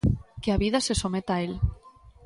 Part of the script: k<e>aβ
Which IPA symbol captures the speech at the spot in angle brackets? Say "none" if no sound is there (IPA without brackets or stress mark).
e